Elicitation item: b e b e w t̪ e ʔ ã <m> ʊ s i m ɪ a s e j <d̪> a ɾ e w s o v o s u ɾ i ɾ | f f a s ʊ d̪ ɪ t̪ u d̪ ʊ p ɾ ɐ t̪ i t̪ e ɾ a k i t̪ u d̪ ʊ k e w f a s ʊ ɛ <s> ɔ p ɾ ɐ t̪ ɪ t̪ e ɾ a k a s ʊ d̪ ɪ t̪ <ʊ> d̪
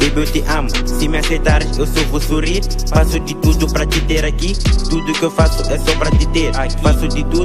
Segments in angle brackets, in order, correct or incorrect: correct, incorrect: t̪, correct, incorrect: u

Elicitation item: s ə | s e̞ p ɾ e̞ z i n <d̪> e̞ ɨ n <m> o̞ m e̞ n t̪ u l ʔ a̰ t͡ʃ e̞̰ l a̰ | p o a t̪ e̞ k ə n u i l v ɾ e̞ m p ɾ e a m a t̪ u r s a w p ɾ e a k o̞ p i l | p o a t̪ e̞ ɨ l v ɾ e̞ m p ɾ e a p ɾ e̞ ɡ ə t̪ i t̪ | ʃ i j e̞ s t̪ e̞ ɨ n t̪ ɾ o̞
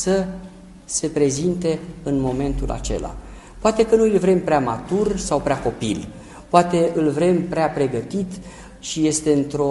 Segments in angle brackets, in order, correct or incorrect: incorrect: t̪, correct

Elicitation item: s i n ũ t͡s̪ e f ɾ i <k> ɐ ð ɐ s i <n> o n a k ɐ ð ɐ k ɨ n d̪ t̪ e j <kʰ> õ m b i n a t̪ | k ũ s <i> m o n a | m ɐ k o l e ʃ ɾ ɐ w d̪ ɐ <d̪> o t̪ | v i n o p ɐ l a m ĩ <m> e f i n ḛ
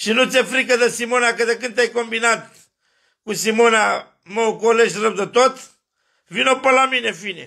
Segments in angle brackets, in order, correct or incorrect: correct, incorrect: m, incorrect: k, correct, incorrect: t̪, incorrect: n

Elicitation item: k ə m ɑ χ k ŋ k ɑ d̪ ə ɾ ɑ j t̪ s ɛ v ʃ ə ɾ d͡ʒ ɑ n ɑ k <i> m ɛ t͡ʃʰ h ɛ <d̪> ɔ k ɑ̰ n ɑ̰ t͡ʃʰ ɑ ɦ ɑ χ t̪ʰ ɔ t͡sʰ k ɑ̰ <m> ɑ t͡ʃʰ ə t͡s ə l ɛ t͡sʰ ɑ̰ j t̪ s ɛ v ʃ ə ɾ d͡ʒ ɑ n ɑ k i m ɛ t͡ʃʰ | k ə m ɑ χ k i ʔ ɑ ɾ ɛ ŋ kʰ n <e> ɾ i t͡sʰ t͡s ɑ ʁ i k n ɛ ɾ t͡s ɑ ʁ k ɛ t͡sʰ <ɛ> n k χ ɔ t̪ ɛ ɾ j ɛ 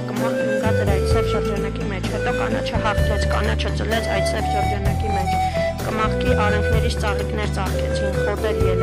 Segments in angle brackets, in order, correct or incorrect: correct, incorrect: t̪, incorrect: n, incorrect: ɛ, incorrect: i

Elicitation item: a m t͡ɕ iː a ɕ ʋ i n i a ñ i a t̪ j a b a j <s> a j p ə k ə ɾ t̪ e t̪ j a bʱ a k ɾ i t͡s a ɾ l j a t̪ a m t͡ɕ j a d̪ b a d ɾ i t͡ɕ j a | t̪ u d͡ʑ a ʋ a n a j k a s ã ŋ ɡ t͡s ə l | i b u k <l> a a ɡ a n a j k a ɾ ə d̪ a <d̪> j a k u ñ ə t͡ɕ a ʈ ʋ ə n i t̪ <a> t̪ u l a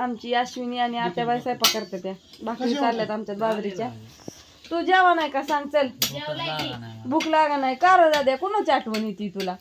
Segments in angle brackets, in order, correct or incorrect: correct, correct, correct, incorrect: i

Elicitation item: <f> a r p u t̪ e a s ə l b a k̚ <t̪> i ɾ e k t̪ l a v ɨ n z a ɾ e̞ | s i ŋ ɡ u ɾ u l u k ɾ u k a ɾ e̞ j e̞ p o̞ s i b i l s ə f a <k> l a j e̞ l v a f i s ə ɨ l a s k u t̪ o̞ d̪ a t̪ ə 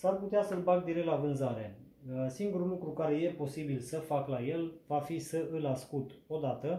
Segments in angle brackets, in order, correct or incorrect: incorrect: s, incorrect: d̪, correct

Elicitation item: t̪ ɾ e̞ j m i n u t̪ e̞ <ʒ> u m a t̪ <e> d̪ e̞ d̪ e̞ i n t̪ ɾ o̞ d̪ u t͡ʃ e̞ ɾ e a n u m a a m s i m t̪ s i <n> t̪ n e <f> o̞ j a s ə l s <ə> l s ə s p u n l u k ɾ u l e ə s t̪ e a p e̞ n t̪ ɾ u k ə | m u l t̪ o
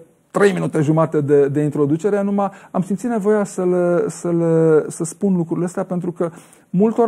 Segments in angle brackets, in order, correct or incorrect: correct, correct, incorrect: none, incorrect: v, correct

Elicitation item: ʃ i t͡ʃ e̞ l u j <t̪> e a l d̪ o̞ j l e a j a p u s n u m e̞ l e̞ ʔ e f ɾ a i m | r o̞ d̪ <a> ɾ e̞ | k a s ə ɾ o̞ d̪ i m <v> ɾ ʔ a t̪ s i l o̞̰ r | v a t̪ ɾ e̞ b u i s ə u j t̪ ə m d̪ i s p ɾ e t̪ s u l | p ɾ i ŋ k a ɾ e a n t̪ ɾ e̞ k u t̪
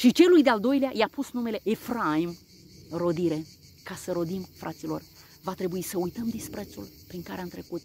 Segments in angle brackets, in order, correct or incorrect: incorrect: d̪, incorrect: i, incorrect: f

